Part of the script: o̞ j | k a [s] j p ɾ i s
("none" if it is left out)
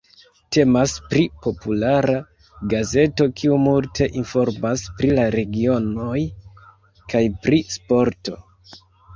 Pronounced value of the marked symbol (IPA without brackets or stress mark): none